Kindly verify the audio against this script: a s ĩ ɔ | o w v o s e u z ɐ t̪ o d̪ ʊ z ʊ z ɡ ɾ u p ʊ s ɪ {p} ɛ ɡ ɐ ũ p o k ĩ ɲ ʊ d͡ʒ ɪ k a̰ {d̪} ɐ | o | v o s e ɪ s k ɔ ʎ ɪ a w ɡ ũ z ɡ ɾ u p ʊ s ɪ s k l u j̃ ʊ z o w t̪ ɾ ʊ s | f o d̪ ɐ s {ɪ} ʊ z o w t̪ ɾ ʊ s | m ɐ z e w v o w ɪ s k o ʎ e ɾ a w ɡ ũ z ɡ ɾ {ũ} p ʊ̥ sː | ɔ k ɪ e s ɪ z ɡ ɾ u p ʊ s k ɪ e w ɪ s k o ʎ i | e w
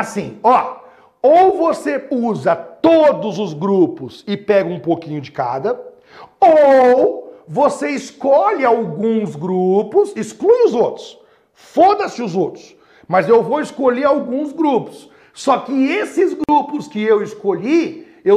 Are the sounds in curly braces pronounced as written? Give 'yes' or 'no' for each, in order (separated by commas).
yes, yes, yes, no